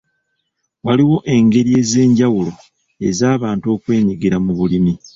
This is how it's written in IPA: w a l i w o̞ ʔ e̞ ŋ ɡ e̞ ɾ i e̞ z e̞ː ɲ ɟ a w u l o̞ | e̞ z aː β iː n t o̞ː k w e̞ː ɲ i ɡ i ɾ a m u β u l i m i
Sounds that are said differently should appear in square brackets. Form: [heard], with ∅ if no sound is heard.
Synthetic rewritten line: w a l i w o̞ ʔ e̞ ŋ ɡ e̞ ɾ i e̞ z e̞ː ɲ ɟ a w u l o̞ | e̞ z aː β [aː] n t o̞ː k w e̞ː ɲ i ɡ i ɾ a m u β u l i m i